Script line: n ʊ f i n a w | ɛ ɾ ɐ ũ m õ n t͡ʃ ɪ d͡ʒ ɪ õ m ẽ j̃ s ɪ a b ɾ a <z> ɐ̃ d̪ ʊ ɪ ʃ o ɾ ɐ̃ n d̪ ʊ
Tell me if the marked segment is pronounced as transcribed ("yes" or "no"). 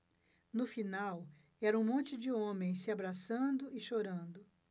no